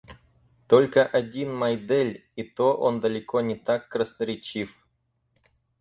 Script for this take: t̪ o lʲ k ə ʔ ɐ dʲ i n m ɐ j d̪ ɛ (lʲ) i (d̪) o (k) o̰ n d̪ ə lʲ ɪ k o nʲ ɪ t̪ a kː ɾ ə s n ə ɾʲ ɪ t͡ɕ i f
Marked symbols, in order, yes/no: yes, no, no

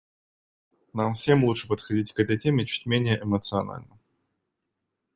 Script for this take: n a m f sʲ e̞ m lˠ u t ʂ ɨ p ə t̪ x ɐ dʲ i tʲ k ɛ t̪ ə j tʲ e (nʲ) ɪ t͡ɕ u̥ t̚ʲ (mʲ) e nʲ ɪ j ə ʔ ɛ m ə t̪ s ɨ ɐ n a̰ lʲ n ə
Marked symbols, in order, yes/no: no, yes

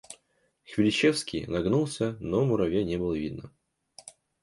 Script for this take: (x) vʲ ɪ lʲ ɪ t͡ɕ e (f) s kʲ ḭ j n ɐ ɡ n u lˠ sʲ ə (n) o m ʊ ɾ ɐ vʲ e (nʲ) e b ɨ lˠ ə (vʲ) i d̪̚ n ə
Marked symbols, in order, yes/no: yes, yes, yes, yes, yes

